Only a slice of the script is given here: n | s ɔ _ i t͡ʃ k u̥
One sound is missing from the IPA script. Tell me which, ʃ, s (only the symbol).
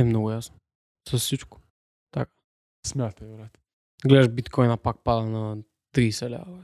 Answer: s